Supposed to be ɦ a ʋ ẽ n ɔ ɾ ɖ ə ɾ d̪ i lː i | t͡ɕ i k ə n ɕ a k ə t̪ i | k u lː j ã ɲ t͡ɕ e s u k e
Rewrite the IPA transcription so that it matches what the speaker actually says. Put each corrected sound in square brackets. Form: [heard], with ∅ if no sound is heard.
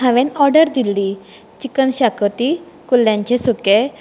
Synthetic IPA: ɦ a ʋ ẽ n ɔ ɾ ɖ ə ɾ d̪ i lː i | t͡ɕ i k ə n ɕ a k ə t̪ i | k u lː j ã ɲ t͡ɕ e s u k e